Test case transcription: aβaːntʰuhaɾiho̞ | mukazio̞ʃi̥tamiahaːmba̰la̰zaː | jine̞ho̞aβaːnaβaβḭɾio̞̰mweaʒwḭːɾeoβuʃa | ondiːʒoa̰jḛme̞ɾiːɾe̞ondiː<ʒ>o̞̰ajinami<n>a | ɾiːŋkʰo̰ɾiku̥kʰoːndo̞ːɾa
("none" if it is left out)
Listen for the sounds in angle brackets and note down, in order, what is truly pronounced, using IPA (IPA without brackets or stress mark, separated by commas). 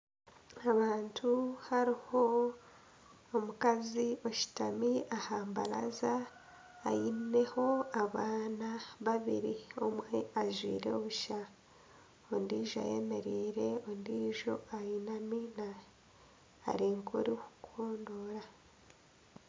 ʒ, n